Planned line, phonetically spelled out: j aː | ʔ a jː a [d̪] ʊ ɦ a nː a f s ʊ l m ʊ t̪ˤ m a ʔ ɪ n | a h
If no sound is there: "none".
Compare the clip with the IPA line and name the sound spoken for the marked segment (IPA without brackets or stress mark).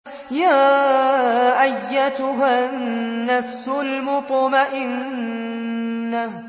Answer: t̪